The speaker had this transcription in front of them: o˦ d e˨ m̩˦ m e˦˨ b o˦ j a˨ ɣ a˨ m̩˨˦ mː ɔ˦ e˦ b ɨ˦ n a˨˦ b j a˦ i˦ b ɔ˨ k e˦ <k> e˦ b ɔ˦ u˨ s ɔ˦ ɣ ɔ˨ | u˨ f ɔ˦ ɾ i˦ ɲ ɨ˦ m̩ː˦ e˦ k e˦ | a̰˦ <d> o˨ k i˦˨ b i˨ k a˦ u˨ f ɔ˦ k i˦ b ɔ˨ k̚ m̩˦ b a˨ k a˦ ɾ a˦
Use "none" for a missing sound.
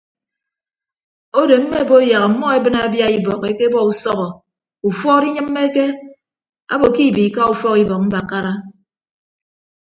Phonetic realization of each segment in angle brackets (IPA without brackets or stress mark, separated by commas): k, b